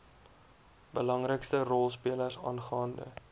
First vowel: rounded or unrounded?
unrounded